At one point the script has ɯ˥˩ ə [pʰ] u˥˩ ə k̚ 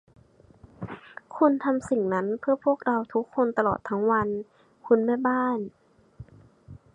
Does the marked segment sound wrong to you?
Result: no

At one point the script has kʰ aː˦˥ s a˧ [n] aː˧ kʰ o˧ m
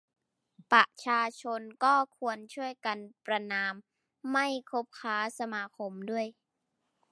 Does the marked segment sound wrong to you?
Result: yes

